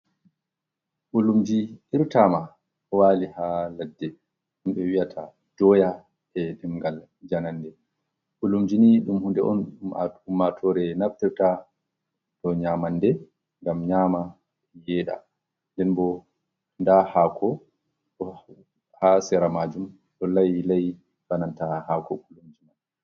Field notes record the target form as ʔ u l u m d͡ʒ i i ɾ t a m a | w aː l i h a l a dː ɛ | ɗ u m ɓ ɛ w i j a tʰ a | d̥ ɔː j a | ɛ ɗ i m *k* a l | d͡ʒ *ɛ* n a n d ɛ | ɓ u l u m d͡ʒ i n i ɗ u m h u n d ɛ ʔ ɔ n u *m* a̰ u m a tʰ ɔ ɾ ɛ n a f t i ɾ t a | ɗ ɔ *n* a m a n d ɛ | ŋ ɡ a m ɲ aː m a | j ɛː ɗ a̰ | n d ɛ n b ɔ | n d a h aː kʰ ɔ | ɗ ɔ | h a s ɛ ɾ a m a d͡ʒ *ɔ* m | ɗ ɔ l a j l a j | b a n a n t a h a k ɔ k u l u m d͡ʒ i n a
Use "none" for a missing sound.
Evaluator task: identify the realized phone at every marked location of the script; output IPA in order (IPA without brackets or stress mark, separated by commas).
ɡ, a, m, ɲ, u